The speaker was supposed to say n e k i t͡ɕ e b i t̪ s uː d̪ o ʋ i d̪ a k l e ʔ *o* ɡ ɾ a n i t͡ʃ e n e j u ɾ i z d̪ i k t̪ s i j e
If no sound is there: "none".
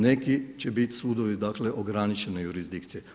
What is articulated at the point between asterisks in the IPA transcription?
o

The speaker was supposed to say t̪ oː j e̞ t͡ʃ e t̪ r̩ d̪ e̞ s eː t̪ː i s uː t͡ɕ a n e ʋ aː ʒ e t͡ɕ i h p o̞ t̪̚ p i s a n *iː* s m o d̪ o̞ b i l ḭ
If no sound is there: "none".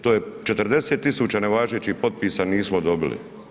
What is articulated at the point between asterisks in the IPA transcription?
iː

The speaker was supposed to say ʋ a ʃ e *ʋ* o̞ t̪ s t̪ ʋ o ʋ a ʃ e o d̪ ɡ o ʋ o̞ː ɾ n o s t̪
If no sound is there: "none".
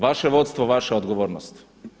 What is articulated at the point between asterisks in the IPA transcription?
ʋ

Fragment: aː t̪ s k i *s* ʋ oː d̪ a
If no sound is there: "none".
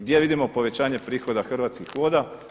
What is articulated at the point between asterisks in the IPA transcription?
x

